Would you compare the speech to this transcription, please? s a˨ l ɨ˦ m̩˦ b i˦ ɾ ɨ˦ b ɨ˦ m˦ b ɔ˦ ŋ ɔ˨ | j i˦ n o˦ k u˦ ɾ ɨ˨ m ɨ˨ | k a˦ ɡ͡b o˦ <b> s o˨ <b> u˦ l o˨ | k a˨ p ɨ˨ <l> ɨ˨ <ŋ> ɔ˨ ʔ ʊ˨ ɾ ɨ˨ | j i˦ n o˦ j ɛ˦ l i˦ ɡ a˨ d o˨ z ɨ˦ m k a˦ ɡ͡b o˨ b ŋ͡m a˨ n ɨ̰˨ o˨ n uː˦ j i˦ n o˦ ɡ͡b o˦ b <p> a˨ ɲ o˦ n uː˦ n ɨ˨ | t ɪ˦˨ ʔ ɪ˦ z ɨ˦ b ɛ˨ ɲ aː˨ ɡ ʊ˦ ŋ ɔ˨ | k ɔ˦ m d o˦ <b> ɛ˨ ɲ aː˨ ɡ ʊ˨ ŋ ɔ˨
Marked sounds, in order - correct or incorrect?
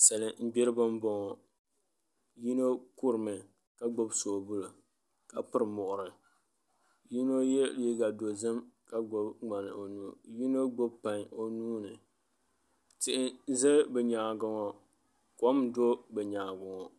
correct, correct, incorrect: ɾ, incorrect: m, correct, correct

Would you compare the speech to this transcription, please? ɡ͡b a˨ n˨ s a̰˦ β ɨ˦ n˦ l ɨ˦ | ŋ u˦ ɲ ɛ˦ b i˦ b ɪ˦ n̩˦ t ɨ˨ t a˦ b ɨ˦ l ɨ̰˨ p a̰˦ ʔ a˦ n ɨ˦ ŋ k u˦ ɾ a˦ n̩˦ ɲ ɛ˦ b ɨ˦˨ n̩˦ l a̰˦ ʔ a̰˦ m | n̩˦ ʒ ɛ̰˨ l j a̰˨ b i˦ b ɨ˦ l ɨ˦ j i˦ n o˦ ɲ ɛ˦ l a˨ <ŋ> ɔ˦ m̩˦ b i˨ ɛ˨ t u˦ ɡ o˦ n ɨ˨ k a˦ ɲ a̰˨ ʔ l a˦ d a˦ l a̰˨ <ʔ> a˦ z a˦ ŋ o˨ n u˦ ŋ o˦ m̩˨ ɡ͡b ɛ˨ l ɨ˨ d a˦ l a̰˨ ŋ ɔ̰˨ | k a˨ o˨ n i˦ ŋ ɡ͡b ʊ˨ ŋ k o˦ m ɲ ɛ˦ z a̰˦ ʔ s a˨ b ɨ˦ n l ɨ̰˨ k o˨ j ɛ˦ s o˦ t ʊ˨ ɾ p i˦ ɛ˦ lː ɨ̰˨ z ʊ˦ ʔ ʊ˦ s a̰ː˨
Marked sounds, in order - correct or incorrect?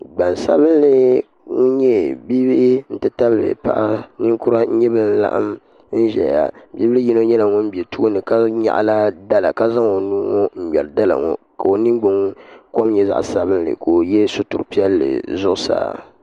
correct, incorrect: k

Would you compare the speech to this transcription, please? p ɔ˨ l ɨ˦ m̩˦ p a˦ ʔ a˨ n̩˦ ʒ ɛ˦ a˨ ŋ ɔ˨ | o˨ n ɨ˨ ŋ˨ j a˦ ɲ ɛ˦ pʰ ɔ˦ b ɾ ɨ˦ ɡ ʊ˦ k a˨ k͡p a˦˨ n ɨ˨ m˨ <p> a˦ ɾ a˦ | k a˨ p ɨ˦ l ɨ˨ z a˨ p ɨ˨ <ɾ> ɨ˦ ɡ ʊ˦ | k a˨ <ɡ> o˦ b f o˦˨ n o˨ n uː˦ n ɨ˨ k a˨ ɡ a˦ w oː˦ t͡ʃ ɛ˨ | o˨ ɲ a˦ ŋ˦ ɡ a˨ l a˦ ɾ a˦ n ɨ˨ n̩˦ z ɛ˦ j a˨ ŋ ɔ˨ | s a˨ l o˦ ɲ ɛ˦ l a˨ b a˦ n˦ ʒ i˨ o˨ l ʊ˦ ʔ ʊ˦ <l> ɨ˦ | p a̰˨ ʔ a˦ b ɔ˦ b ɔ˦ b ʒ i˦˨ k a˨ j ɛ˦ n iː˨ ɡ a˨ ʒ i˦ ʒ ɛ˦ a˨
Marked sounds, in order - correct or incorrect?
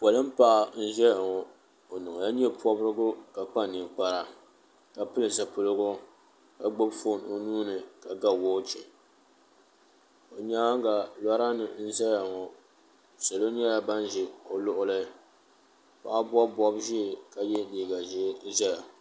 incorrect: k͡p, incorrect: l, incorrect: ɡ͡b, correct

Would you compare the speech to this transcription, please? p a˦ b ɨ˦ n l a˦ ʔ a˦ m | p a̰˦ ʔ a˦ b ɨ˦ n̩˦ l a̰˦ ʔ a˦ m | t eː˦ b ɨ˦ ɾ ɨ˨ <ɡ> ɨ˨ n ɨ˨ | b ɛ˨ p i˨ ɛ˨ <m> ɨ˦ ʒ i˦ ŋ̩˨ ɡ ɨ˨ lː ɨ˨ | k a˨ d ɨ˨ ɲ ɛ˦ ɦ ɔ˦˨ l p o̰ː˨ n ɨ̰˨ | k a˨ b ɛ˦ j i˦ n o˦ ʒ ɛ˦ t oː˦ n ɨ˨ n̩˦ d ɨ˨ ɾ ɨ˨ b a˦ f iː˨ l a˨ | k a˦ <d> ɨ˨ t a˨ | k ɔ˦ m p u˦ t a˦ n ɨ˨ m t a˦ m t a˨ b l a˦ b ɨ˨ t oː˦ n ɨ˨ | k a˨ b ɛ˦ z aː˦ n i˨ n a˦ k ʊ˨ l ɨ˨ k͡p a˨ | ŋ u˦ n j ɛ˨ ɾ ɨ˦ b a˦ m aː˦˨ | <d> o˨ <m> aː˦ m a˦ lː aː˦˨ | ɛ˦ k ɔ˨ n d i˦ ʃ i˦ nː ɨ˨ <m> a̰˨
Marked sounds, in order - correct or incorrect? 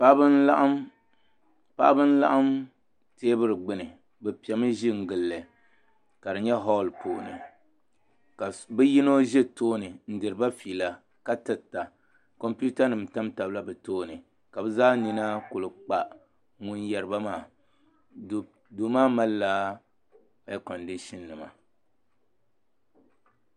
incorrect: ɡ͡b, correct, incorrect: t, correct, correct, correct

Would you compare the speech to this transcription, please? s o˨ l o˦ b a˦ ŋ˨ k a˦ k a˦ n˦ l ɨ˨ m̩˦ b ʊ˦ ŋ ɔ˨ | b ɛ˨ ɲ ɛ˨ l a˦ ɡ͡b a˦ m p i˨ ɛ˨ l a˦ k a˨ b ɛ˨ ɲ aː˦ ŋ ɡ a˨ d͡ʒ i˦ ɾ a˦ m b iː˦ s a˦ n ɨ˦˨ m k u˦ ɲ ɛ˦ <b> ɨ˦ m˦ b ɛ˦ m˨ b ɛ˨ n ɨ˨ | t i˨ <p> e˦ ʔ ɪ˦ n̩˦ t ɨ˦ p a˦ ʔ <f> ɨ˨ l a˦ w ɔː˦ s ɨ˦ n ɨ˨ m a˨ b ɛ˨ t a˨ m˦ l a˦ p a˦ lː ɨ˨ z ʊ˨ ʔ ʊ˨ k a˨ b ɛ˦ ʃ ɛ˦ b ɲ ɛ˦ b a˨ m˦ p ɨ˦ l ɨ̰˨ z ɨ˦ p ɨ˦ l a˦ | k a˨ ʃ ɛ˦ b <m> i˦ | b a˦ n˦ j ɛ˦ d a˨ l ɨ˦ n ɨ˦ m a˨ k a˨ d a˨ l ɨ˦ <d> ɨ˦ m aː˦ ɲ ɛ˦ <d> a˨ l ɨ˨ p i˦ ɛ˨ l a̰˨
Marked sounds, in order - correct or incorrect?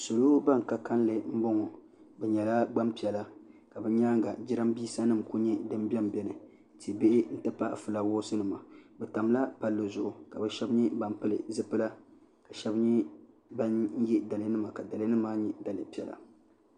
incorrect: d, incorrect: b, correct, incorrect: ɲ, incorrect: n, correct

